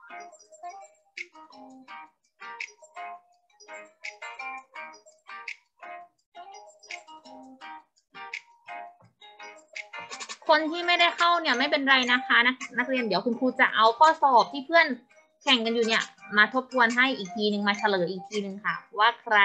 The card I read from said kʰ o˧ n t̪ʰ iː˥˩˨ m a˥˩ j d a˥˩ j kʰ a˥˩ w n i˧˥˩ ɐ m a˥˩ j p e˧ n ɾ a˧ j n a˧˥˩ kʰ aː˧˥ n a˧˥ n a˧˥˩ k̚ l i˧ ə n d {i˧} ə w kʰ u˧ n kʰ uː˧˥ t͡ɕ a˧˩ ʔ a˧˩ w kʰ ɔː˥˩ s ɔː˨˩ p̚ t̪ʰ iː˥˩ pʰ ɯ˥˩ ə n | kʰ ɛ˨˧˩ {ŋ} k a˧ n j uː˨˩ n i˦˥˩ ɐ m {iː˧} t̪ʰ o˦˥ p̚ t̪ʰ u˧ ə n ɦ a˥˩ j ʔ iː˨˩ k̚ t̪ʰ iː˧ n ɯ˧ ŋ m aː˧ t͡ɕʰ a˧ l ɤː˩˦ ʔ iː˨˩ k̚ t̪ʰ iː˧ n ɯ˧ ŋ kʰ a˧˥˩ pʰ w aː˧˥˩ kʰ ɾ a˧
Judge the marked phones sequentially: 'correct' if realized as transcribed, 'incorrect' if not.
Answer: incorrect: i˩˦, correct, incorrect: aː˧

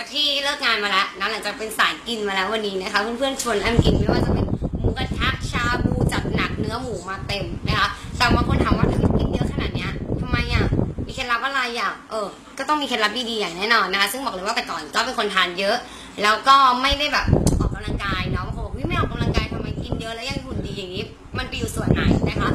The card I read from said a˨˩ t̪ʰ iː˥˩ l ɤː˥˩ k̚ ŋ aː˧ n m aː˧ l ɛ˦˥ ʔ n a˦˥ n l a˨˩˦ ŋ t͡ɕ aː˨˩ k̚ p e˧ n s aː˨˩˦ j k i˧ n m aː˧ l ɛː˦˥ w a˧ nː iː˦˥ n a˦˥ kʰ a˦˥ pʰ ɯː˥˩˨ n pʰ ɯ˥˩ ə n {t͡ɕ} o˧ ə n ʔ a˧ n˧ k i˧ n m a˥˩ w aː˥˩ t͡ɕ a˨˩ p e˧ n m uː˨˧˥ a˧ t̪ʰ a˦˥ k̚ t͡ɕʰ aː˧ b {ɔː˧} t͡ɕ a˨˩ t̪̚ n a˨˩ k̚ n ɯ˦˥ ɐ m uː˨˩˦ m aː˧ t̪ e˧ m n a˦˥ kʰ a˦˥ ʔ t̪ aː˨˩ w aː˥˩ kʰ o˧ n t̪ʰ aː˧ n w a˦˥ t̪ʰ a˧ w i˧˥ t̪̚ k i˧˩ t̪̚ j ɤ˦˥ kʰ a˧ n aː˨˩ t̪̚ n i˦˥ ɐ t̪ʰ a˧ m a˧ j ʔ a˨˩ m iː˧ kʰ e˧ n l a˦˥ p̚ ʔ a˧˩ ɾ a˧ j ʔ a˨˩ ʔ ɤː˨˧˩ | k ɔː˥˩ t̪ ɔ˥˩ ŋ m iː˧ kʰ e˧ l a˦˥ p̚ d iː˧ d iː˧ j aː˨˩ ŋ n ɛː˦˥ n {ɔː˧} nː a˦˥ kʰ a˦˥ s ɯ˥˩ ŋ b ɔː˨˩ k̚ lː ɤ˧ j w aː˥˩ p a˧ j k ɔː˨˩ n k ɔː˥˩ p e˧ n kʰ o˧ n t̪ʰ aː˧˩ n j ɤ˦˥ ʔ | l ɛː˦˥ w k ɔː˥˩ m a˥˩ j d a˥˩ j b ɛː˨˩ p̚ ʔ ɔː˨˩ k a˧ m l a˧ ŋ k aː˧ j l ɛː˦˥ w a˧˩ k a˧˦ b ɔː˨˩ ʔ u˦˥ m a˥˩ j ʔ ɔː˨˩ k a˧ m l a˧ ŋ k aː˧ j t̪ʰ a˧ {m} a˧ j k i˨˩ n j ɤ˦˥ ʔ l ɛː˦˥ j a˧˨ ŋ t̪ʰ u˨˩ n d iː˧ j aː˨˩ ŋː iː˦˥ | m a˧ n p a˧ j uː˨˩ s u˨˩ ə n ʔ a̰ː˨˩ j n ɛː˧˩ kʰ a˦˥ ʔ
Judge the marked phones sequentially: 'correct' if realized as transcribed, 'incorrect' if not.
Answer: incorrect: t͡ɕʰ, incorrect: uː˧, correct, correct

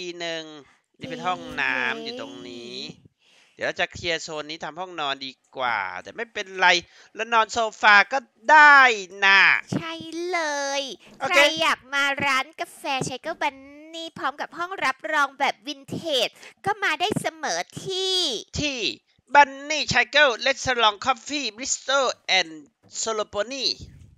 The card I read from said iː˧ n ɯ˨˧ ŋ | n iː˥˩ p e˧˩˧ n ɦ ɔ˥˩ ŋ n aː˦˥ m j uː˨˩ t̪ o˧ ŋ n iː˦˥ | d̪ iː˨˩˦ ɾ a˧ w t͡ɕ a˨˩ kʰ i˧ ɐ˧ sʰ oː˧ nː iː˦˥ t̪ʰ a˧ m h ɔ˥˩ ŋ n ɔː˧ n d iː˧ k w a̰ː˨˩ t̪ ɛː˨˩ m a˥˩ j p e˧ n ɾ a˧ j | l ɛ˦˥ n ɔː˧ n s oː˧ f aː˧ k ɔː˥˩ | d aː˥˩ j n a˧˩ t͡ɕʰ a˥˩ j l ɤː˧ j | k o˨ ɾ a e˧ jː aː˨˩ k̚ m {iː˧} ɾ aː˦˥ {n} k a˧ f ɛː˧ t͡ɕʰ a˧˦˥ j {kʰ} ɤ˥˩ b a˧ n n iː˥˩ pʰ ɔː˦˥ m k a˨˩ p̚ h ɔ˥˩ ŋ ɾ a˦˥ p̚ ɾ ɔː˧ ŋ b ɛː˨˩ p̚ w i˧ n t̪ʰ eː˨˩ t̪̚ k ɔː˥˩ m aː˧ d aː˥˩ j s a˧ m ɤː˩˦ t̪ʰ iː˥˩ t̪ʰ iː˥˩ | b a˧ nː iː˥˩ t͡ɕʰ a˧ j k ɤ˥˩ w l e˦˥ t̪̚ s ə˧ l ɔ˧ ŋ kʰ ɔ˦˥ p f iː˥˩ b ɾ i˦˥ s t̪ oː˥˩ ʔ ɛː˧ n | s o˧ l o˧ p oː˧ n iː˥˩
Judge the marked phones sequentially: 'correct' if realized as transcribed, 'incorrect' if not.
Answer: incorrect: aː˧, correct, incorrect: k

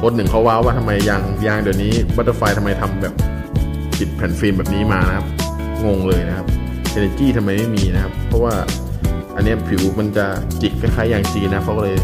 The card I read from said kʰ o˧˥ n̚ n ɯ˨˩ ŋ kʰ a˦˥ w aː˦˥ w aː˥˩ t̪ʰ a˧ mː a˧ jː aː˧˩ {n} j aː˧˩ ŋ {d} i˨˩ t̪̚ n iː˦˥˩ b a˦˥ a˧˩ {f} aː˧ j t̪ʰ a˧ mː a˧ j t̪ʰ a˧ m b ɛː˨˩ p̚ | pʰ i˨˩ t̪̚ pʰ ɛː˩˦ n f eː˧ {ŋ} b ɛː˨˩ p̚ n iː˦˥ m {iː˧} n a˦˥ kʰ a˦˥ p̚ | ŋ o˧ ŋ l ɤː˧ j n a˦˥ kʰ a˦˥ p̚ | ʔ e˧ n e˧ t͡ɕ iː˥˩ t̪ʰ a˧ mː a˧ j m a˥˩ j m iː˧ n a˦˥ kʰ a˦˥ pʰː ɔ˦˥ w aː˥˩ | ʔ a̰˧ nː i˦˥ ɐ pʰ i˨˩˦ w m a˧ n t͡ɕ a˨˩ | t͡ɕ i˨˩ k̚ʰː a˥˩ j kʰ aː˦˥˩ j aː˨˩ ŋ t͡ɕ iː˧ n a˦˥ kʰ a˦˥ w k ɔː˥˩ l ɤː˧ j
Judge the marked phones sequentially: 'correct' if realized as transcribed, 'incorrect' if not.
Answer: incorrect: ŋ, correct, correct, incorrect: m, incorrect: aː˧

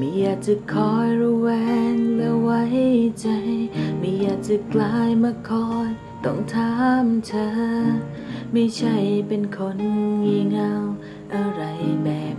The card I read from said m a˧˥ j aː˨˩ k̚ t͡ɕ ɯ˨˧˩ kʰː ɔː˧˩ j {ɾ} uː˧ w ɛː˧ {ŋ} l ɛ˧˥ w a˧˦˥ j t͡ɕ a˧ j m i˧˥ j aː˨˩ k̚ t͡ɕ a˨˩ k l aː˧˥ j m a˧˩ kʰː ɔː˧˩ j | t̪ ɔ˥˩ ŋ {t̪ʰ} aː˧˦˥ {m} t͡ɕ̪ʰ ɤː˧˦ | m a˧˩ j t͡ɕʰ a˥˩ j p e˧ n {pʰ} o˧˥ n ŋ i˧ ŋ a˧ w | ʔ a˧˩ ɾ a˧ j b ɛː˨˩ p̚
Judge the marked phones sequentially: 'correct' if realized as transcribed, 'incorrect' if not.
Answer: correct, correct, correct, correct, incorrect: kʰ

